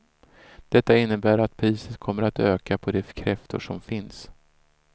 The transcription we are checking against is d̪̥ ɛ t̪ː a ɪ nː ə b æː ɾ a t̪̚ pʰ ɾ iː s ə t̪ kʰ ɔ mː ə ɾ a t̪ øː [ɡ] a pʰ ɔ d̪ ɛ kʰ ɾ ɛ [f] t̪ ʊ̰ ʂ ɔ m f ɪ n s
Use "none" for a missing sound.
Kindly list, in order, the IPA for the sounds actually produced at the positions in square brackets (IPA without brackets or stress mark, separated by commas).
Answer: k, f